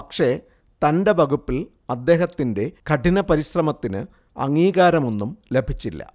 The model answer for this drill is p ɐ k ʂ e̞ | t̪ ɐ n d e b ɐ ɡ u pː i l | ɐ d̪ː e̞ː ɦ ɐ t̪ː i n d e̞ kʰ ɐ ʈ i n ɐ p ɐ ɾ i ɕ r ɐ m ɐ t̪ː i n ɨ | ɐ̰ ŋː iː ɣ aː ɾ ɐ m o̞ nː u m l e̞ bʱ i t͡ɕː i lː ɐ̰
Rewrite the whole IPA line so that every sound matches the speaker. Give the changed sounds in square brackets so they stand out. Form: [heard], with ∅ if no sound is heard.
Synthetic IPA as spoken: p ɐ k ʂ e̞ | t̪ ɐ n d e b ɐ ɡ u pː i l | ɐ d̪ː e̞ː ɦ ɐ t̪ː i n d e̞ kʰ ɐ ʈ i n ɐ p ɐ ɾ i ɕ r ɐ m ɐ t̪ː i n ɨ | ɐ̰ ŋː iː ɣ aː ɾ ɐ m o̞ nː u m l e̞ bʱ i t͡ɕː i lː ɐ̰